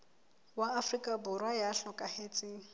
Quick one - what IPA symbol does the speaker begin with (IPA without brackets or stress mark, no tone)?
w